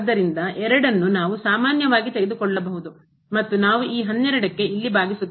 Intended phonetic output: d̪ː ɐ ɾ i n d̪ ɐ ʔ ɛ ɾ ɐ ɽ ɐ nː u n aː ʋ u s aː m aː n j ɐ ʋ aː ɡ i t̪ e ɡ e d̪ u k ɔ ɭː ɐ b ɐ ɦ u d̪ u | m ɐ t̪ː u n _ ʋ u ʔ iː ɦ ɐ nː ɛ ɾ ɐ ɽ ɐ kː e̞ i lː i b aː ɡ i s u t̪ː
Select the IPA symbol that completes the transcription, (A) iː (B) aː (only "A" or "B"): B